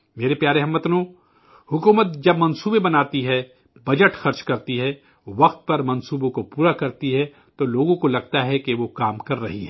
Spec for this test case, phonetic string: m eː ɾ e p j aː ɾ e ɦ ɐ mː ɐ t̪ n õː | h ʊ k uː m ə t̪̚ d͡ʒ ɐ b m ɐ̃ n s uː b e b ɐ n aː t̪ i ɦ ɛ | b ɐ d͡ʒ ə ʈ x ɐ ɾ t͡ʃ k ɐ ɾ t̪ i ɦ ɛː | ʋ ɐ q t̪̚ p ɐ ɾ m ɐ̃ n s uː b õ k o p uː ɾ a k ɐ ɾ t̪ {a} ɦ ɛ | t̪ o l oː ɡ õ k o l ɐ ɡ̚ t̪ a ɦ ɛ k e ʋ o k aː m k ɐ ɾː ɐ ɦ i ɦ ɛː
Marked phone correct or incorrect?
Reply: incorrect